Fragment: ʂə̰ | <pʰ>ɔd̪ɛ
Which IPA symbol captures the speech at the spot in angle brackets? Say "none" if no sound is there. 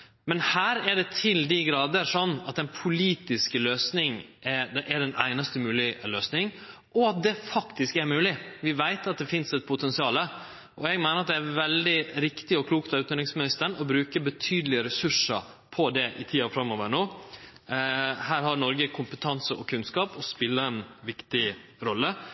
pʰ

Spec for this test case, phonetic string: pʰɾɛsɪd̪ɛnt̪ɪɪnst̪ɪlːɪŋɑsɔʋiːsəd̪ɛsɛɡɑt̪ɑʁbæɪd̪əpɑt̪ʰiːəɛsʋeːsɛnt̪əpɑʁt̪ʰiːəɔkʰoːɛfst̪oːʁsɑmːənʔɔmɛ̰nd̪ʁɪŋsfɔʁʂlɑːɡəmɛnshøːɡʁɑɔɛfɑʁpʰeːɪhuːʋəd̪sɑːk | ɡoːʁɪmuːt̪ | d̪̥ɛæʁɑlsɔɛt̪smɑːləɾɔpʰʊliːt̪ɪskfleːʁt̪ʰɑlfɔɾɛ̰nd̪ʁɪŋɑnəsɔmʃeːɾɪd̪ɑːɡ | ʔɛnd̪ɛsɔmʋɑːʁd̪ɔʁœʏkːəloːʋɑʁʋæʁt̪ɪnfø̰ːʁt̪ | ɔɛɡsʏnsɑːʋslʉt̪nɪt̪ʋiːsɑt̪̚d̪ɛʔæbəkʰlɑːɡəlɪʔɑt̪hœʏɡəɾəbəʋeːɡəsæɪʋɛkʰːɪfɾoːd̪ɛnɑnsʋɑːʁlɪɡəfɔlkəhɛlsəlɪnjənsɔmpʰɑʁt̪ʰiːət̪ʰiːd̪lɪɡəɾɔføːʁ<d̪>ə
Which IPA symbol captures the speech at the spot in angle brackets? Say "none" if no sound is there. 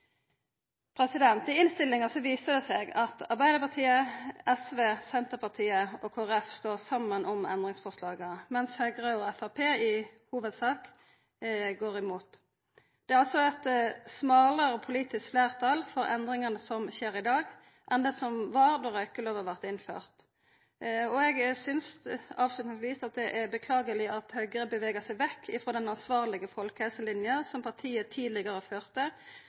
t̪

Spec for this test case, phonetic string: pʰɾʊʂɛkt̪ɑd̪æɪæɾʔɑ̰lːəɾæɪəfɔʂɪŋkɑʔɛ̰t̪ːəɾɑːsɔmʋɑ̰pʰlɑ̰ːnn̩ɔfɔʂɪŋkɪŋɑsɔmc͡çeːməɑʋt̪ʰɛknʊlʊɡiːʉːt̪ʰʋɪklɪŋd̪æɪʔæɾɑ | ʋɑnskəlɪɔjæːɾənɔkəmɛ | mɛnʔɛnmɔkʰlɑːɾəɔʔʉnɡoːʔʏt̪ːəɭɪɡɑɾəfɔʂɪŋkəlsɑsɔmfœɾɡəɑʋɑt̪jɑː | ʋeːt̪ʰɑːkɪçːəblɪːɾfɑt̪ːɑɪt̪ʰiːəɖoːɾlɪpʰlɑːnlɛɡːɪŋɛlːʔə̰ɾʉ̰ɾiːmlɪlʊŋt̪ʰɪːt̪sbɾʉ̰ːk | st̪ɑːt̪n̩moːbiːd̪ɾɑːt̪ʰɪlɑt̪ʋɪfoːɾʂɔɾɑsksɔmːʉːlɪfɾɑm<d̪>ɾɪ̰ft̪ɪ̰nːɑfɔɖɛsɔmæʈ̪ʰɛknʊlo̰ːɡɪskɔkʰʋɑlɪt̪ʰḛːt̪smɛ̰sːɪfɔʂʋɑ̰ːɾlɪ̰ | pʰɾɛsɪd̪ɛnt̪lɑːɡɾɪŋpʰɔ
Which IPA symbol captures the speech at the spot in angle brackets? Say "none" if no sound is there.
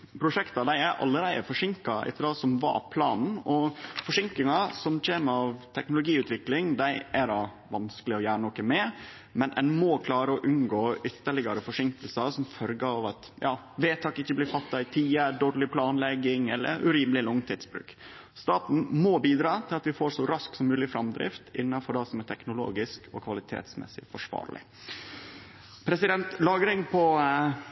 d̪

